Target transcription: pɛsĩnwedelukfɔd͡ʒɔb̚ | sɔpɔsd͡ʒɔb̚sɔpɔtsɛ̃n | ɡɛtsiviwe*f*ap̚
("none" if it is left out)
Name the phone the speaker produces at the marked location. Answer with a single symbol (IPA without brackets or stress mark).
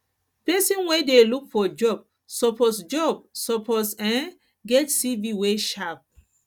ʃ